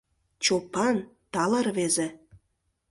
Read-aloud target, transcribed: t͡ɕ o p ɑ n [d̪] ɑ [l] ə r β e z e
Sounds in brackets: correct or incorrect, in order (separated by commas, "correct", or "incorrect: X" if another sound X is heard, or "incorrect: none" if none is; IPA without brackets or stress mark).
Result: incorrect: t̪, correct